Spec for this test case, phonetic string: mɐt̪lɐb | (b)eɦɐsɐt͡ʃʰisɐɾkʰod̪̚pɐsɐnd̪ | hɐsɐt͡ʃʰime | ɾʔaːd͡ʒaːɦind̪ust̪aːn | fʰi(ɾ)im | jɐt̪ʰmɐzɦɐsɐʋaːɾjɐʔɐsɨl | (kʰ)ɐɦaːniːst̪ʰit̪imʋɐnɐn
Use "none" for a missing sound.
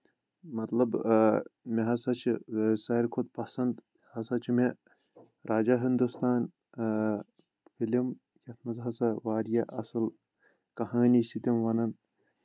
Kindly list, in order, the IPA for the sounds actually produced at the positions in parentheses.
m, l, k

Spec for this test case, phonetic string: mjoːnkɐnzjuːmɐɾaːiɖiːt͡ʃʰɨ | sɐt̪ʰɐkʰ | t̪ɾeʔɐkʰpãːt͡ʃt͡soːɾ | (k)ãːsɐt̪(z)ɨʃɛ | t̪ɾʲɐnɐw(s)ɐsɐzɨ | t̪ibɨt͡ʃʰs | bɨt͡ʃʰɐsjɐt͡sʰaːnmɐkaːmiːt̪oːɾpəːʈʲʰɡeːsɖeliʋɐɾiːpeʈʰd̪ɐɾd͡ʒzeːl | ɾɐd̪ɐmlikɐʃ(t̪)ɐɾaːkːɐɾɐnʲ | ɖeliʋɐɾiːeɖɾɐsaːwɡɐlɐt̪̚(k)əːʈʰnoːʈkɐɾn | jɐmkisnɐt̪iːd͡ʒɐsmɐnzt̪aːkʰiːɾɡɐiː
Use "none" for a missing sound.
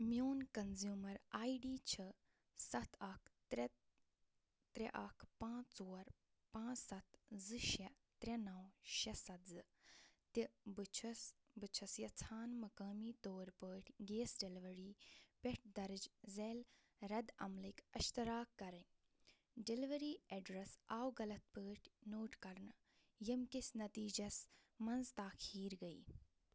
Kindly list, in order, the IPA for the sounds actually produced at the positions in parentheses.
p, z, ʃ, t̪, p

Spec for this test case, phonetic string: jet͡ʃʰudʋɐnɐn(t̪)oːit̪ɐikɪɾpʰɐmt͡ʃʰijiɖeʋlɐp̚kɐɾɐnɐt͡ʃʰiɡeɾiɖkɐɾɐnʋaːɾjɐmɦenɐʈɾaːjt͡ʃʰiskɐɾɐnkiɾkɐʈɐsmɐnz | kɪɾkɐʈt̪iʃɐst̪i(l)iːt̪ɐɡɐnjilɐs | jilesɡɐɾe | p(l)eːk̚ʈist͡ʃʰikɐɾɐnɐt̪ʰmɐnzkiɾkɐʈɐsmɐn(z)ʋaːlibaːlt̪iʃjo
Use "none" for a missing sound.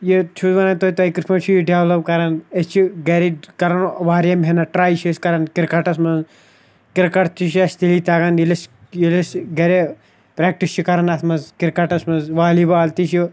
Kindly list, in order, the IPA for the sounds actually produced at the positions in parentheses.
t̪, l, ɾ, z

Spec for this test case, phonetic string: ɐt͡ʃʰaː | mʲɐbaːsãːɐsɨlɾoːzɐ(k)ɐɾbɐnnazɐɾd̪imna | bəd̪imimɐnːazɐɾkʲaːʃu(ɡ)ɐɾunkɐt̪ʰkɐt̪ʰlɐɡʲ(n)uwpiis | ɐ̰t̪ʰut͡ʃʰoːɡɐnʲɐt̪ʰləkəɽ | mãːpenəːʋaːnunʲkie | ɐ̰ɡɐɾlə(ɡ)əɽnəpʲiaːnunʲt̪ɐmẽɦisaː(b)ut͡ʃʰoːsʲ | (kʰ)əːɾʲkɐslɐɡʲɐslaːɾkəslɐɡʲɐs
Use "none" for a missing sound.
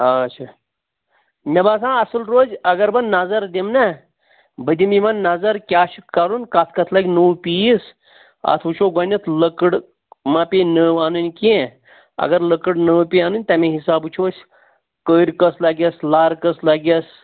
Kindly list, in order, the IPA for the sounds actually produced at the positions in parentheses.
ɡ, k, n, k, b, k

